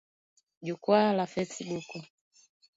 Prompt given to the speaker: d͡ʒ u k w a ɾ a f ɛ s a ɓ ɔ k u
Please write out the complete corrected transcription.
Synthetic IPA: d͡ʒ u k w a l a f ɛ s i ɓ u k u